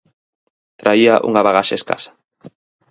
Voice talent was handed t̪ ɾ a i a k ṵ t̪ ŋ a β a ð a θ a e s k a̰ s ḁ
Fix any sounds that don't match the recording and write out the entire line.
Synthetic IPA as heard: t̪ ɾ a i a ʔ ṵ ŋ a β a ɣ a ʃ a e s k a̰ s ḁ